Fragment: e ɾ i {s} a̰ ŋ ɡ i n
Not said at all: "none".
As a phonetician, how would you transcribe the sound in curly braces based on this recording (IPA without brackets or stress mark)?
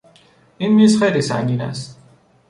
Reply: s